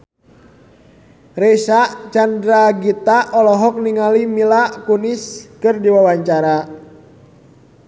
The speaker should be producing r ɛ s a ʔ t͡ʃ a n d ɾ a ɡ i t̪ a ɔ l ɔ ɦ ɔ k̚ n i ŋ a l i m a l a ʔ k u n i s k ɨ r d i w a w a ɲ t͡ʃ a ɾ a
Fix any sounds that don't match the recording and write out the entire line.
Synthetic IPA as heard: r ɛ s a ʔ t͡ʃ a n d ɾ a ɡ i t̪ a ɔ l ɔ ɦ ɔ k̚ n i ŋ a l i m i l a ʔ k u n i s k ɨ r d i w a w a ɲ t͡ʃ a ɾ a